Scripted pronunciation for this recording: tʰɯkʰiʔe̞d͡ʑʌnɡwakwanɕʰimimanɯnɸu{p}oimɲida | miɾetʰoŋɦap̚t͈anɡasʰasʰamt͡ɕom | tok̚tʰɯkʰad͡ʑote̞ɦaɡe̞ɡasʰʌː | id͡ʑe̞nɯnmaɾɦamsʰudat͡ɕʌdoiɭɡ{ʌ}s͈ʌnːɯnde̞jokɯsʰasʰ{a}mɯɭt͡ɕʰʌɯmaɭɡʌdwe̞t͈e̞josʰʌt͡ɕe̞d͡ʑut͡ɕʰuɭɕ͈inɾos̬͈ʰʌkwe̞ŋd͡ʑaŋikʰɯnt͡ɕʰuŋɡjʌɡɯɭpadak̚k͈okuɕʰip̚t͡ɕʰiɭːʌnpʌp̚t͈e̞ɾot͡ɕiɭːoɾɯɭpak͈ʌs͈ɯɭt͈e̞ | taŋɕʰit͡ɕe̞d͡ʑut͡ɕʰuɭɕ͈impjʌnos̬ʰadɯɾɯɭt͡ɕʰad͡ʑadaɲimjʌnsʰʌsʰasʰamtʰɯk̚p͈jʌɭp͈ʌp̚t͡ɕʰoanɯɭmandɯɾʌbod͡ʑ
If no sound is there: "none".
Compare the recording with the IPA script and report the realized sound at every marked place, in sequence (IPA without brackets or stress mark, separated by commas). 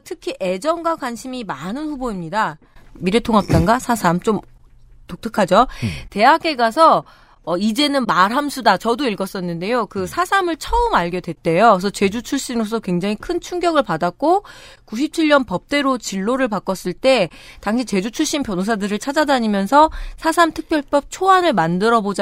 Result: b, ʌ, a